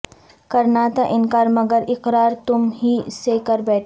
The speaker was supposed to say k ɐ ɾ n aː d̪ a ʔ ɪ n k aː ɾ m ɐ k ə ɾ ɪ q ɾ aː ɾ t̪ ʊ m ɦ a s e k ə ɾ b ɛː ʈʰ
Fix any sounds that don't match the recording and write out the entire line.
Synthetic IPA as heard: k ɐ ɾ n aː t̪ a ʔ ɪ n k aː ɾ m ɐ ɡ ə ɾ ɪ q ɾ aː ɾ t̪ ʊ m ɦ i s e k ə ɾ b ɛː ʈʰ